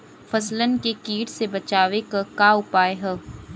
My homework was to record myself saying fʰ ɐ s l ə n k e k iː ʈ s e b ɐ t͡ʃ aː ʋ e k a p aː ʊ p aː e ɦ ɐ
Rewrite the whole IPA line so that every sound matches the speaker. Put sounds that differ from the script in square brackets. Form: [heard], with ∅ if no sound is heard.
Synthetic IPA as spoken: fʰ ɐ s l ə n k e k iː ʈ s e b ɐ t͡ʃ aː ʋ e k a [k] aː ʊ p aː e ɦ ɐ